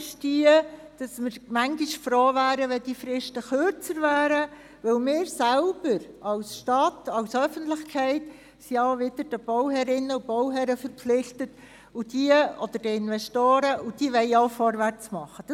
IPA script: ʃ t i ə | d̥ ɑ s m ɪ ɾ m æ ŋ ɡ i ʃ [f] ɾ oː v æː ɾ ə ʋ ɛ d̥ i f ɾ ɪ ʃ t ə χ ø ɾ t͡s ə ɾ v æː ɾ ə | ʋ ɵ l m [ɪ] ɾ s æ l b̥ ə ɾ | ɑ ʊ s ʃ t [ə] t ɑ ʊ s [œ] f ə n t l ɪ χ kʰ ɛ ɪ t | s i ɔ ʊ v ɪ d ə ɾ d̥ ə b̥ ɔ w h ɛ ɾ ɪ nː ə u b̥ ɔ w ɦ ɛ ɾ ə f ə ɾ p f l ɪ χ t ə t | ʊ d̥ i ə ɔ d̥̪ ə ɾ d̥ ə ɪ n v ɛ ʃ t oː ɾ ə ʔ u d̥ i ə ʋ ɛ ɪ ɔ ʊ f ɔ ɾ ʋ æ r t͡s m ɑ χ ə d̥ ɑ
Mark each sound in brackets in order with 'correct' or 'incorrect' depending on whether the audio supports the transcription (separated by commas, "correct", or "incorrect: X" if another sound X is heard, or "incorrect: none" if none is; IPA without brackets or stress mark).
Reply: correct, incorrect: ɪː, incorrect: ɑ, correct